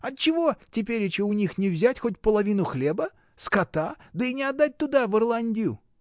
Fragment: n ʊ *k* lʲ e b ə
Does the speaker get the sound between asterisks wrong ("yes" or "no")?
yes